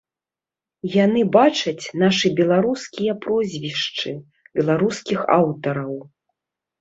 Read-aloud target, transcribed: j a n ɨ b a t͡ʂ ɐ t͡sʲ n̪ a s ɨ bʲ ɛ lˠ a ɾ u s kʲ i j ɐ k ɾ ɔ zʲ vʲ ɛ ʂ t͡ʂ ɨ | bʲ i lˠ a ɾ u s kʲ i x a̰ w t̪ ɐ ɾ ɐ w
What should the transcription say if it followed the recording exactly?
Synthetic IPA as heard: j a n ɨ b a t͡ʂ ɐ t͡sʲ n̪ a ʂ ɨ bʲ ɛ lˠ a ɾ u s kʲ i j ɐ p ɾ ɔ zʲ vʲ i ʂ t͡ʂ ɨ | bʲ ɛ lˠ a ɾ u s kʲ i x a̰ w t̪ ɐ ɾ ɐ w